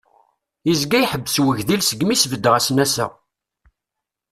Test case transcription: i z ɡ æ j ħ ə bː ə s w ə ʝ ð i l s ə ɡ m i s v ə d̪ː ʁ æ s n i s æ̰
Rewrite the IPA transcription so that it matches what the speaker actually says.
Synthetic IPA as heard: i z ɡ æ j ħ ə bː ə s w ə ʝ ð i l s ə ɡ m i s v ə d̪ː ʁ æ s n æ s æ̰

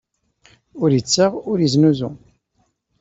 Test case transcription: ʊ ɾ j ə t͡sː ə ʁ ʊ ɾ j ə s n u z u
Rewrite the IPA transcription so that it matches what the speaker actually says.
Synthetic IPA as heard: ʊ ɾ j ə t͡sː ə ʁ ʊ ɾ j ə z n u z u

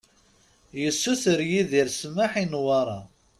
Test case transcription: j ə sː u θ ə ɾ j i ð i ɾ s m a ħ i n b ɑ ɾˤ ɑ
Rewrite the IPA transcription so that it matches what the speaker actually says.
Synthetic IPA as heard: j ə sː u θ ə ɾ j i ð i ɾ s m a ħ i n w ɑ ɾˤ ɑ

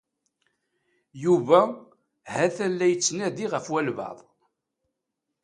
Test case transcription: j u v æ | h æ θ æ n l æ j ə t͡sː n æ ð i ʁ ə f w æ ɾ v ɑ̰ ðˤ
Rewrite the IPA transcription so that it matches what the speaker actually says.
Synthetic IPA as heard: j u v æ | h æ θ æ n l æ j ə t͡sː n æ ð i ʁ ə f w æ l v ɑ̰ ðˤ

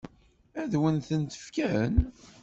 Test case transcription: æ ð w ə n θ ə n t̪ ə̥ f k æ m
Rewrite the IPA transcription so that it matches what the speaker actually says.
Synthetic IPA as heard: æ ð w ə n θ ə n t̪ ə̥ f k æ n

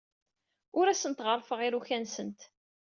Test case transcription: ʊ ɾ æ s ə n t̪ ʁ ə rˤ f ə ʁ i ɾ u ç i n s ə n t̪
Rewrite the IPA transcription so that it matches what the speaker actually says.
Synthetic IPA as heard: ʊ ɾ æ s ə n t̪ ʁ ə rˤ f ə ʁ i ɾ u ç æ n s ə n t̪

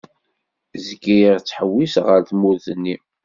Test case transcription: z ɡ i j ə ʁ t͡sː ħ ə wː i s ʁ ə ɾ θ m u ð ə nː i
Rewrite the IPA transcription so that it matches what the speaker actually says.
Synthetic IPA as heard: z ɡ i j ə ʁ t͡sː ħ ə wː i s ʁ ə ɾ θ m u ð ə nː i

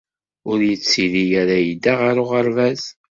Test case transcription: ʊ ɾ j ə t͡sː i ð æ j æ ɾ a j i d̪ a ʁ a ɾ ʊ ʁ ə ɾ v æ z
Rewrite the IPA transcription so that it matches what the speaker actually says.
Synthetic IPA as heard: ʊ ɾ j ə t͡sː i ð i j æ ɾ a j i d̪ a ʁ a ɾ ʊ ʁ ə ɾ v æ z

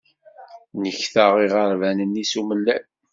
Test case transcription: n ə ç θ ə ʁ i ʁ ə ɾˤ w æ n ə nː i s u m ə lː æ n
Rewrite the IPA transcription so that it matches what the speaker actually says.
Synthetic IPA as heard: n ə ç θ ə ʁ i ʁ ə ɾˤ v æ n ə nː i s u m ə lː æ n

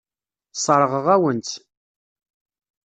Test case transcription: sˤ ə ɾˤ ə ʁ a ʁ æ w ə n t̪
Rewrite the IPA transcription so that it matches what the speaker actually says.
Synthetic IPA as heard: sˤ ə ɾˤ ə ʁ ə ʁ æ w ə n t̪

